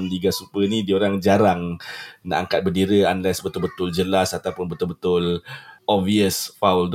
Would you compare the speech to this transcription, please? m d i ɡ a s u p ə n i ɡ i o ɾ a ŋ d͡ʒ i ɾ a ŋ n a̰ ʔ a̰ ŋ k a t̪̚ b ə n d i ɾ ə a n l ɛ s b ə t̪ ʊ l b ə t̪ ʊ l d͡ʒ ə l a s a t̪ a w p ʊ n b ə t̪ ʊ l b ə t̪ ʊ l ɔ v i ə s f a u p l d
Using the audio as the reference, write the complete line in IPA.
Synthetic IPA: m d i ɡ a s u p ə n i d i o ɾ a ŋ d͡ʒ a ɾ a ŋ n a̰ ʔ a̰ ŋ k a t̪̚ b ə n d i ɾ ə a n l ɛ s b ə t̪ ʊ l b ə t̪ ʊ l d͡ʒ ə l a s a t̪ a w p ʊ n b ə t̪ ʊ l b ə t̪ ʊ l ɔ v i ə s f a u l d